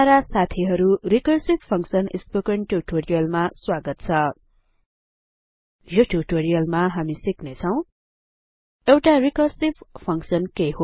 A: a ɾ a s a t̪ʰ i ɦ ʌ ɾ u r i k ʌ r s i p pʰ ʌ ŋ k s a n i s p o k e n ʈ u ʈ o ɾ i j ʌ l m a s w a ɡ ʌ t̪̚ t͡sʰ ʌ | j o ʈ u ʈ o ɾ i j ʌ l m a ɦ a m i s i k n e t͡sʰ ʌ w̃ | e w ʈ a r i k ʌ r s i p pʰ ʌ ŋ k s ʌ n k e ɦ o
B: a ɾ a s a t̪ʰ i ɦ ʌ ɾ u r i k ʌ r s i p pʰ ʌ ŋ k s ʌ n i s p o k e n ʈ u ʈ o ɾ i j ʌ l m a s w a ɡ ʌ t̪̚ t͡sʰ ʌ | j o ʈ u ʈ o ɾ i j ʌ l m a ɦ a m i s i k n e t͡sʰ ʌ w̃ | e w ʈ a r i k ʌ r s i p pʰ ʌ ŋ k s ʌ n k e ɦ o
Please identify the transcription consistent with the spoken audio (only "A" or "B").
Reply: B